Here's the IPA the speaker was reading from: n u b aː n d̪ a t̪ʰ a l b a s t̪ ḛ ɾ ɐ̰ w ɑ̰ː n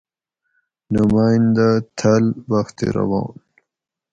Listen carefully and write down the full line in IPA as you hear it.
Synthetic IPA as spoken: n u m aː n d̪ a t̪ʰ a l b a x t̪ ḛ ɾ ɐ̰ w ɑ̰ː n